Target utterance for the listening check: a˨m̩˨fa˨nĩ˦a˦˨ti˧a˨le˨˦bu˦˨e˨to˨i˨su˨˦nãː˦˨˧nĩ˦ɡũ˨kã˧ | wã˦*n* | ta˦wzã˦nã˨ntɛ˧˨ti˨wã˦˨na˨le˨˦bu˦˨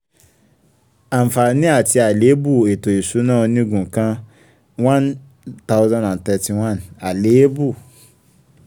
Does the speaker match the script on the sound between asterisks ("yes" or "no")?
yes